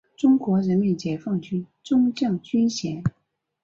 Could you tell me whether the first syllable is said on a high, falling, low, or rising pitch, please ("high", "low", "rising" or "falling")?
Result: high